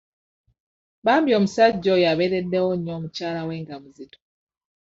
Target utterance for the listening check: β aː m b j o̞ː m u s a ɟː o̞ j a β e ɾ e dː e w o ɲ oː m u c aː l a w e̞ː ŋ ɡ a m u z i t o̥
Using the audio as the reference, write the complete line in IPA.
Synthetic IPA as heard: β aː m b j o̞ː m u s a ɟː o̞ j a β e ɾ e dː e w o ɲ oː m u c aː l a w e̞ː ŋ ɡ a m u z i t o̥